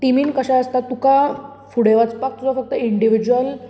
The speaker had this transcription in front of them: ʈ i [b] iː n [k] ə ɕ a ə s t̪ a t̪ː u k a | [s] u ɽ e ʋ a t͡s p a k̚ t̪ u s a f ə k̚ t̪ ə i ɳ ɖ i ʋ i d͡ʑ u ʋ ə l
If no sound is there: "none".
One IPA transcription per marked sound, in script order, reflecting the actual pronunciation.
m, k, f

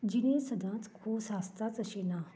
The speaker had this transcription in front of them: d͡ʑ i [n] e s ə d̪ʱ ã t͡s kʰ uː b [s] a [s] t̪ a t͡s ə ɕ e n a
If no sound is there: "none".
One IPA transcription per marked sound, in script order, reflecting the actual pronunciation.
n, s, s

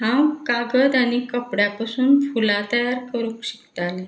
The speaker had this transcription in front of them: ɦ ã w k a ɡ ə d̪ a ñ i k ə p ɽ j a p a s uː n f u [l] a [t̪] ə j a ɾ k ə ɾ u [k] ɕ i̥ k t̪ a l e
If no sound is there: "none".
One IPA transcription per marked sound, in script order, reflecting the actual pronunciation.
l, t̪, k

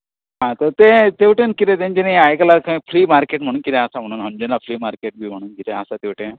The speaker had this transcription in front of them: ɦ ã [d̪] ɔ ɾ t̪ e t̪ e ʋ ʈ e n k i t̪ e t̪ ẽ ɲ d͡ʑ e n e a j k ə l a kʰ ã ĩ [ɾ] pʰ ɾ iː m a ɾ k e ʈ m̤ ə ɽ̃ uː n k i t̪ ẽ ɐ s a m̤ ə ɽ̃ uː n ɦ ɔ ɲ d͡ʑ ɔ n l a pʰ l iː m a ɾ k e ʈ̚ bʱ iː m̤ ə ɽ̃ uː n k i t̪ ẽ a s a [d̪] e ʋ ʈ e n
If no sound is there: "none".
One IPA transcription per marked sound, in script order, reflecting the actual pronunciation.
t̪, none, t̪

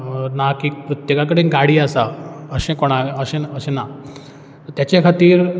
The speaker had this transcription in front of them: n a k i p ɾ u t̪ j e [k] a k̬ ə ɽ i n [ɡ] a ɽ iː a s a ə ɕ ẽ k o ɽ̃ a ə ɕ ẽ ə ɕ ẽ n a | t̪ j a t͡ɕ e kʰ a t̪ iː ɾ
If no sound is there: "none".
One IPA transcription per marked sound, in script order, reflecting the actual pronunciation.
k, ɡ

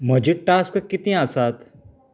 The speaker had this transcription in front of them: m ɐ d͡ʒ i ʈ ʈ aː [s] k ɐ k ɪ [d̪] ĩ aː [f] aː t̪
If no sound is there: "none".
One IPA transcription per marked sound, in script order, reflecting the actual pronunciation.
s, t̪, s

